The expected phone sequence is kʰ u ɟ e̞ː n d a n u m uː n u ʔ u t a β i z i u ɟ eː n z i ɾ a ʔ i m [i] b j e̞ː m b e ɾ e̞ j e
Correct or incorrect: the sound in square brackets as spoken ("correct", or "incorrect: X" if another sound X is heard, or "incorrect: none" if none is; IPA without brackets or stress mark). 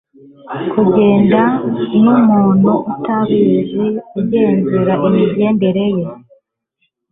correct